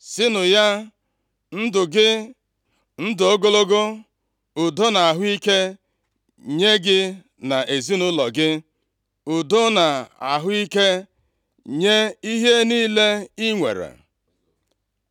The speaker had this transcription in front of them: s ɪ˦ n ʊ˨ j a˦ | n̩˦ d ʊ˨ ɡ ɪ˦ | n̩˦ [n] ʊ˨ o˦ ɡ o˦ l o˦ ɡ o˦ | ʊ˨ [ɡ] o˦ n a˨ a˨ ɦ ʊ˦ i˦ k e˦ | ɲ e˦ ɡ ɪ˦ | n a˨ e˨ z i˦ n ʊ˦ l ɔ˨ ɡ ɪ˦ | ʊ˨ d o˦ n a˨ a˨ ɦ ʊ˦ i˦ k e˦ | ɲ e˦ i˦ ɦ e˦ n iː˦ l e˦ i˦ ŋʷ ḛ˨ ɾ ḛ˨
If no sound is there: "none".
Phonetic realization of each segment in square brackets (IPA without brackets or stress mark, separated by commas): d, d